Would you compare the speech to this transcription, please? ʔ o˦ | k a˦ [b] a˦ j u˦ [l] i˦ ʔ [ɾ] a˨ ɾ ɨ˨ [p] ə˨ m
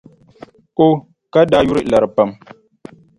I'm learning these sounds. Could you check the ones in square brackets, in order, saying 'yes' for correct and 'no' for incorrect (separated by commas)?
no, no, no, yes